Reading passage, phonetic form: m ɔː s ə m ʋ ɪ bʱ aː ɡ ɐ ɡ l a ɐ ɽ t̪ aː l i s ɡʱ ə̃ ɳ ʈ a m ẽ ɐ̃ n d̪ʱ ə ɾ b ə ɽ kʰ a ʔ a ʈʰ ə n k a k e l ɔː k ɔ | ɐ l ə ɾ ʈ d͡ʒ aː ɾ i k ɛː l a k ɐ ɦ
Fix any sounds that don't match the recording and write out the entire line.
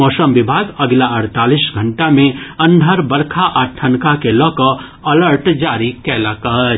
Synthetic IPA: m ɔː s ə m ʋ ɪ bʱ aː ɡ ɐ ɡ l a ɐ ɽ t̪ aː l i s ɡʱ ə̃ ɳ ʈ a m ẽ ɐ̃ n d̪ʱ ə ɾ b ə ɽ kʰ a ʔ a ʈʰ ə n k a k e l ɔː k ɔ | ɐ l ə ɾ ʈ d͡ʒ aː ɾ i k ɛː l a k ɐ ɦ

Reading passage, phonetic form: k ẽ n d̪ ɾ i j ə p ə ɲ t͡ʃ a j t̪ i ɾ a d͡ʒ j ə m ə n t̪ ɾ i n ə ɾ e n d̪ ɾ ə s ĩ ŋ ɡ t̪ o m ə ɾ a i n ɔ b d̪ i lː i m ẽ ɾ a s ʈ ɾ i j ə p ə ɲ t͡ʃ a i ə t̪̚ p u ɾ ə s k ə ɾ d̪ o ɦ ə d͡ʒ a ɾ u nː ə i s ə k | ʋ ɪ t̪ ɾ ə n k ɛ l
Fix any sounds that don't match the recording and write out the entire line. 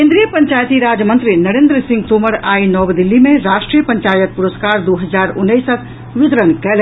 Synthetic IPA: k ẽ n d̪ ɾ i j ə p ə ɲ t͡ʃ a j t̪ i ɾ a d͡ʒ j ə m ə n t̪ ɾ i n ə ɾ e n d̪ ɾ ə s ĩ ŋ ɡ t̪ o m ə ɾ a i n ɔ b d̪ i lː i m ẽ ɾ a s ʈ ɾ i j ə p ə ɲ t͡ʃ a j ə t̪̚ p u ɾ ə s k a ɾ d̪ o ɦ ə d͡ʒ a ɾ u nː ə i s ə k | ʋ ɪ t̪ ɾ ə n k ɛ l

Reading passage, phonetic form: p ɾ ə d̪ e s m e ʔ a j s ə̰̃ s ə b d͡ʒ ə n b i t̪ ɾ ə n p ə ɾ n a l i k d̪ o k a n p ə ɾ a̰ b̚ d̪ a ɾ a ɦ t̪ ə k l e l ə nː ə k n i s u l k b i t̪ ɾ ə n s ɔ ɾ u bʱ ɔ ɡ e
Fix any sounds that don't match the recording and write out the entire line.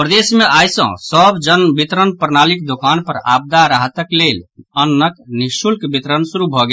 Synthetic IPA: p ɾ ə d̪ e s m e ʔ a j s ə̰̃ s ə b d͡ʒ ə n b i t̪ ɾ ə n p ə ɾ n a l i k d̪ o k a n p ə ɾ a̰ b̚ d̪ a ɾ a ɦ t̪ ə k l e l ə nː ə k n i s u l k b i t̪ ɾ ə n s u ɾ u bʱ ɔ ɡ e

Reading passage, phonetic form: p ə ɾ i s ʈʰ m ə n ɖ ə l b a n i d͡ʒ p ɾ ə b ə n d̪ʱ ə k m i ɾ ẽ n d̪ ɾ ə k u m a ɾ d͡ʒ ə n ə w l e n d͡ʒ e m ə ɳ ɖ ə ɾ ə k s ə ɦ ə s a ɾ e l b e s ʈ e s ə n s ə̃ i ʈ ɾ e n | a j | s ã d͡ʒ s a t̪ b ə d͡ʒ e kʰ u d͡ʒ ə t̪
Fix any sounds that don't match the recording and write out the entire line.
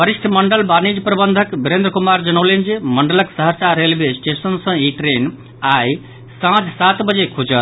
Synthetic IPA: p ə ɾ i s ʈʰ m ə ɳ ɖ ə l b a n i d͡ʒ p ɾ ə b ə n d̪ʱ ə k b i ɾ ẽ n d̪ ɾ ə k u m a ɾ d͡ʒ ə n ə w l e n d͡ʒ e m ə ɳ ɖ ə l ə k s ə ɦ ə s a ɾ e l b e s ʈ e s ə n s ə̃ i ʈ ɾ e n | a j | s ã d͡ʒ s a t̪ b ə d͡ʒ e kʰ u d͡ʒ ə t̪

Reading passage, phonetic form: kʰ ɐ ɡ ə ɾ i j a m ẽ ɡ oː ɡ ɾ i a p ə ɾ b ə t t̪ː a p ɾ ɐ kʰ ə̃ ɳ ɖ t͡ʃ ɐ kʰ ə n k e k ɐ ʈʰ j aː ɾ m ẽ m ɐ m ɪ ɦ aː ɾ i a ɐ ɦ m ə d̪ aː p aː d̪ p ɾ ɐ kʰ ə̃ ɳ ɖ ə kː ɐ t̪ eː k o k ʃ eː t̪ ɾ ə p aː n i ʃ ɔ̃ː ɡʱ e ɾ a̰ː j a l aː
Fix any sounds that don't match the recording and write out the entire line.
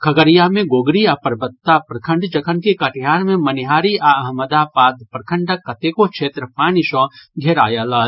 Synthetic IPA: kʰ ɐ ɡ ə ɾ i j a m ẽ ɡ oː ɡ ɾ i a p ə ɾ b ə t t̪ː a p ɾ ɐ kʰ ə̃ ɳ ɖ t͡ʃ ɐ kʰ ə n k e k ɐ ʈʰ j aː ɾ m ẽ m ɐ n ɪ ɦ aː ɾ i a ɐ ɦ m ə d̪ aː p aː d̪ p ɾ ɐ kʰ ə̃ ɳ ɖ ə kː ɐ t̪ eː k o k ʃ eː t̪ ɾ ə p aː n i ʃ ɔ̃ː ɡʱ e ɾ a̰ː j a l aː

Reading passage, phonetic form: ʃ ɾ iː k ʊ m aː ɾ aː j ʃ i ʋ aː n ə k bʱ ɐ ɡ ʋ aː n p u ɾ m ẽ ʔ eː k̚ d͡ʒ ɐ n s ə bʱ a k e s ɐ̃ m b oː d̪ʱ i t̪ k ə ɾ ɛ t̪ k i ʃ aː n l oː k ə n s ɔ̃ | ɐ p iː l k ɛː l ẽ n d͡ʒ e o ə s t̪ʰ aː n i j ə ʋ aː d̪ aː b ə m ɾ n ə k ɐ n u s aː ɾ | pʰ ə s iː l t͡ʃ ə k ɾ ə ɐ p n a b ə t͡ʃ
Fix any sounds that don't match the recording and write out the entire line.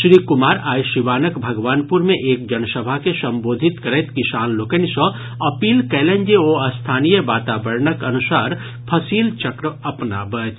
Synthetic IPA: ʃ ɾ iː k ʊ m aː ɾ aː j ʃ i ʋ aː n ə k bʱ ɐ ɡ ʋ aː n p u ɾ m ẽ ʔ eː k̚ d͡ʒ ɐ n s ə bʱ a k e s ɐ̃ m b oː d̪ʱ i t̪ k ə ɾ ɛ t̪ k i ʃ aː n l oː k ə n s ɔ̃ | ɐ p iː l k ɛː l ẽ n d͡ʒ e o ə s t̪ʰ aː n i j ə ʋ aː t̪ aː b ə ɾ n ə k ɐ n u s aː ɾ | pʰ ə s iː l t͡ʃ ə k ɾ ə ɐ p n a b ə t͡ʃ

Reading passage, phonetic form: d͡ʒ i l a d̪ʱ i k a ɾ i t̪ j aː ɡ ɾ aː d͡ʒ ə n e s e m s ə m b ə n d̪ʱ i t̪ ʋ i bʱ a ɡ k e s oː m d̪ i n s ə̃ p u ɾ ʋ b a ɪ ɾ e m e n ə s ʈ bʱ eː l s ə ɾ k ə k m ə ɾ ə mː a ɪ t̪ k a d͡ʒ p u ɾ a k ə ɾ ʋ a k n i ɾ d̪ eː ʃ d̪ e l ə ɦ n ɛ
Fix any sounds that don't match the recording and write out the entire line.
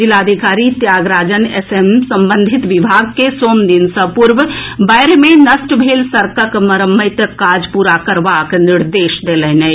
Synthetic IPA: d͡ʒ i l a d̪ʱ i k a ɾ i t̪ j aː ɡ ɾ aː d͡ʒ ə n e s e m s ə m b ə n d̪ʱ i t̪ ʋ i bʱ a ɡ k e s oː m d̪ i n s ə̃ p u ɾ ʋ b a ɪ ɾ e m e n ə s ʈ bʱ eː l s ə ɾ k ə k m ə ɾ ə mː ə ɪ t̪ k a d͡ʒ p u ɾ a k ə ɾ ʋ a k n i ɾ d̪ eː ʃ d̪ e l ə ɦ n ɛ

